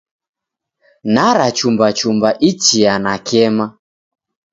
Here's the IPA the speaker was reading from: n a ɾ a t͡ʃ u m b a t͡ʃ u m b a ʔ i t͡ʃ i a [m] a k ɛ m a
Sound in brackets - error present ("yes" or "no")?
yes